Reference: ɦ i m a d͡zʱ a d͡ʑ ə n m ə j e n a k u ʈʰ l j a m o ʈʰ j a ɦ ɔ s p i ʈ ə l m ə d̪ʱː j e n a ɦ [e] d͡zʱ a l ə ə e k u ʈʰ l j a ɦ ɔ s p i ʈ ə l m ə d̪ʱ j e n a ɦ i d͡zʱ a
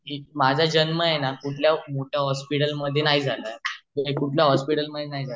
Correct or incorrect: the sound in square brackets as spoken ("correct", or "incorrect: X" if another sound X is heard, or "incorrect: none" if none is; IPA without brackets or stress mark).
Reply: incorrect: i